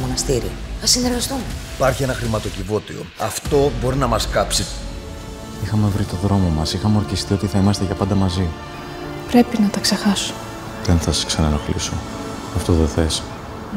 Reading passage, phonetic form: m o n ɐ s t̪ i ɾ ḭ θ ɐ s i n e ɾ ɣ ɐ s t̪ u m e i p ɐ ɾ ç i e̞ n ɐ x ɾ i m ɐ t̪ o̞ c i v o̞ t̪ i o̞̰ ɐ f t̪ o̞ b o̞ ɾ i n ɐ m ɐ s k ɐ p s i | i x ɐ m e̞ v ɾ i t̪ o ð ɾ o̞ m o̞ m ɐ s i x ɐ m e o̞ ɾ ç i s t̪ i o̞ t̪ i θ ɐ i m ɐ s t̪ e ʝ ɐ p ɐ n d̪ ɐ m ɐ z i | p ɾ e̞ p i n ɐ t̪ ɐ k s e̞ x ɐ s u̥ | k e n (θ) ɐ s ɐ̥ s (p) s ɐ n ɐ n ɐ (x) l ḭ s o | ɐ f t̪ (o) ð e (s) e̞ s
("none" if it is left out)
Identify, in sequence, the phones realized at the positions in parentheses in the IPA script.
θ, k, x, o, θ

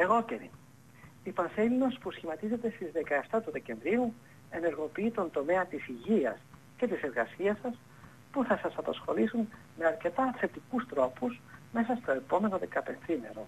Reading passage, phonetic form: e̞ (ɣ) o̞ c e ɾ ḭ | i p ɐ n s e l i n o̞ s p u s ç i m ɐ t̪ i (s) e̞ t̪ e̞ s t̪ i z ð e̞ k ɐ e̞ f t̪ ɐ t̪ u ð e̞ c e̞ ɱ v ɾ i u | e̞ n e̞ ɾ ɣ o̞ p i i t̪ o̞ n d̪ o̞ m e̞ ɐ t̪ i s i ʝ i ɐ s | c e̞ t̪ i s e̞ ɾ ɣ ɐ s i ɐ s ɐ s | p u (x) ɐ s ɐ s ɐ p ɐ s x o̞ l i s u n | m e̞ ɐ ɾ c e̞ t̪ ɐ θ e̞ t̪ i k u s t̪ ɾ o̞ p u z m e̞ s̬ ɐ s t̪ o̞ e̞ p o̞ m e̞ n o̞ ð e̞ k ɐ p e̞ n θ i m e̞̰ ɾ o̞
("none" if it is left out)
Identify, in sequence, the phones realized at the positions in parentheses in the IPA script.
ɣ, z, θ

